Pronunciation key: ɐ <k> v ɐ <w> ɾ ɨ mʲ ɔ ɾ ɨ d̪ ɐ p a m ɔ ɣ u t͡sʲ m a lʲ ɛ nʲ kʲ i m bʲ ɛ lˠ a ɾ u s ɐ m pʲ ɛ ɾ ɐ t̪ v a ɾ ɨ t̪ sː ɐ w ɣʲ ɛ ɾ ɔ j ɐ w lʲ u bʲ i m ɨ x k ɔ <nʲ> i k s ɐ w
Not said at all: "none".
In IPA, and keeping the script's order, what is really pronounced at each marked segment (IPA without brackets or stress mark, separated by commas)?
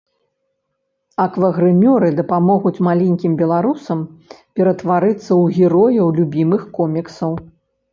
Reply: k, ɣ, mʲ